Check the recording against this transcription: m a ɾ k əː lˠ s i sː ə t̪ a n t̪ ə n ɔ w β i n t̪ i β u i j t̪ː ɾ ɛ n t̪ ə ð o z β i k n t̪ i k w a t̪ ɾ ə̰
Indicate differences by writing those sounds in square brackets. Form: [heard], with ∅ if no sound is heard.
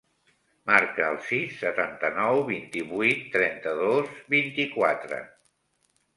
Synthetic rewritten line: m a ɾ k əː lˠ s i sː ə t̪ a n t̪ ə n ɔ w β i n t̪ i β u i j t̪ː ɾ ɛ n t̪ ə ð o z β i [∅] n t̪ i k w a t̪ ɾ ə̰